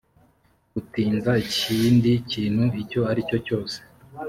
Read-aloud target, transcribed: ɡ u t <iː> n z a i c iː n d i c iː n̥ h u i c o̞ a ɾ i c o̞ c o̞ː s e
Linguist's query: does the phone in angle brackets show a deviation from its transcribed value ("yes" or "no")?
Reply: no